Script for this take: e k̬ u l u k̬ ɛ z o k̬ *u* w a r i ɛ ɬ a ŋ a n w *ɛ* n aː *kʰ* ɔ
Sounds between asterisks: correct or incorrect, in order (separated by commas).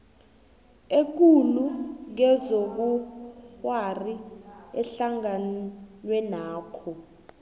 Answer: correct, correct, correct